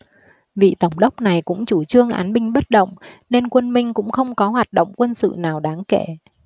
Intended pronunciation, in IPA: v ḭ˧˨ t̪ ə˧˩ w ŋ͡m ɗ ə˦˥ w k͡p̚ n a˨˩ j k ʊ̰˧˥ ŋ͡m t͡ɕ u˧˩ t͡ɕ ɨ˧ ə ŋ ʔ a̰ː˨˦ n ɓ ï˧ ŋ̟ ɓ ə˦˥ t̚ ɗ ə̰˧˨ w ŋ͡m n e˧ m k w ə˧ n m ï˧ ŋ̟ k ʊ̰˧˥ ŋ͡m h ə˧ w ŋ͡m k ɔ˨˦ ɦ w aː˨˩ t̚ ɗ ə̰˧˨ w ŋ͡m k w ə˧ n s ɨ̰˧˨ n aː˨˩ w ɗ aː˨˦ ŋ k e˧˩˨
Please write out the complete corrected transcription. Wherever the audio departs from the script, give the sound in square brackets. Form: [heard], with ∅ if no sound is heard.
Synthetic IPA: v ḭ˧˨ t̪ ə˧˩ w ŋ͡m ɗ ə˦˥ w k͡p̚ n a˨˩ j k ʊ̰˧˥ ŋ͡m t͡ɕ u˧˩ t͡ɕ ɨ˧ ə ŋ ʔ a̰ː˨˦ n ɓ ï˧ ŋ̟ ɓ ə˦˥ t̚ ɗ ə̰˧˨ w ŋ͡m n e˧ [n] k w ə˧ n m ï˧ ŋ̟ k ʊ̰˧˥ ŋ͡m [x] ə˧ w ŋ͡m k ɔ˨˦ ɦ w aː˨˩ t̚ ɗ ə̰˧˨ w ŋ͡m k w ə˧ n s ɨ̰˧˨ n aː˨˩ w ɗ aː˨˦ ŋ k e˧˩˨